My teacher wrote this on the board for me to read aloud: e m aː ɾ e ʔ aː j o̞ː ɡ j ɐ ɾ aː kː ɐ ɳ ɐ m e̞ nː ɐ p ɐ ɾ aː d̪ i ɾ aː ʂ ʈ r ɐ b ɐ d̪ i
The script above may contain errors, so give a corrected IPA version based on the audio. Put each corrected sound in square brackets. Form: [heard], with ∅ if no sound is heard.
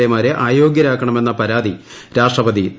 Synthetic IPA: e m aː ɾ e ʔ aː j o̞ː ɡ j ɐ ɾ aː kː ɐ ɳ ɐ m e̞ nː ɐ p ɐ ɾ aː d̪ i ɾ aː ʂ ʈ r ɐ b ɐ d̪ i